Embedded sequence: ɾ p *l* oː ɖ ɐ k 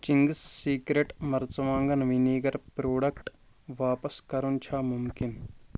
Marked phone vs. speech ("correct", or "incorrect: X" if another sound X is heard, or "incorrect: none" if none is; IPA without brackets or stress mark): incorrect: ɾ